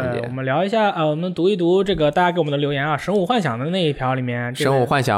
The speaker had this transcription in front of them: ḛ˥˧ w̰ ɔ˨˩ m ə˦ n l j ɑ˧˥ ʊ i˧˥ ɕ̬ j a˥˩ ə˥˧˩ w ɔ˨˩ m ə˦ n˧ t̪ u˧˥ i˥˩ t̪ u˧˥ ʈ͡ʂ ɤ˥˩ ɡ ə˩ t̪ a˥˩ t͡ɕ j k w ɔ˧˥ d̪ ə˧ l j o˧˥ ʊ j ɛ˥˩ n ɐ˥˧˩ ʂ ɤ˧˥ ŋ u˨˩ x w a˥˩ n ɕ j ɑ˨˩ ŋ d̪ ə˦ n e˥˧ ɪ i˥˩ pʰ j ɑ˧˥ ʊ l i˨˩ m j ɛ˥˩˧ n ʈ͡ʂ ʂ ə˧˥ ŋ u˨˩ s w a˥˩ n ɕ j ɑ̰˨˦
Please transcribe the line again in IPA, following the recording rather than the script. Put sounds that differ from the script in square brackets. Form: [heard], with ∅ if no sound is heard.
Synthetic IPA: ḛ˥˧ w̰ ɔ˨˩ m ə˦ n l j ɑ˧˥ ʊ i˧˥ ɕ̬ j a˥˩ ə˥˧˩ w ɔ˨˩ m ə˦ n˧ t̪ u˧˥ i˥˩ t̪ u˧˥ ʈ͡ʂ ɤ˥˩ ɡ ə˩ t̪ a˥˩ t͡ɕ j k w [ɔ˨˩] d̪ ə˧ l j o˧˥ ʊ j [ɛ˧˥] n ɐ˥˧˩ ʂ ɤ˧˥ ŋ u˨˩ x w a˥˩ n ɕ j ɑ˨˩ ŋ d̪ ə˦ n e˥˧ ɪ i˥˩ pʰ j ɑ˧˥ ʊ l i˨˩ m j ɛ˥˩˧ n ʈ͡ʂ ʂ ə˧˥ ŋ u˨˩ [x] w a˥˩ n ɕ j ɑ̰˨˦